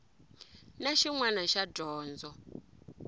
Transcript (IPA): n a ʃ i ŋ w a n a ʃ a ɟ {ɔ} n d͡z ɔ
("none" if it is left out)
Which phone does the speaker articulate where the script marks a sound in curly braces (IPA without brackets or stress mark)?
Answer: ɔː